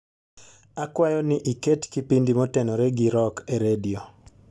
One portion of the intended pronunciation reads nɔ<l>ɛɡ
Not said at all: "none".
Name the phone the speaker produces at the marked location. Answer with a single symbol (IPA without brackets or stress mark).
ɾ